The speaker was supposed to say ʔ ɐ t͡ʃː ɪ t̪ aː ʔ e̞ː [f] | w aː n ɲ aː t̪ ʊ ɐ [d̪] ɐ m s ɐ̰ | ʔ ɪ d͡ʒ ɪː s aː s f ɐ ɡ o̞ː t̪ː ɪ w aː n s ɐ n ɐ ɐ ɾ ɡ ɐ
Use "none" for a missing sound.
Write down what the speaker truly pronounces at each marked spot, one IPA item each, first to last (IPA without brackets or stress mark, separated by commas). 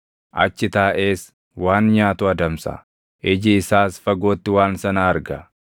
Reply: s, d̪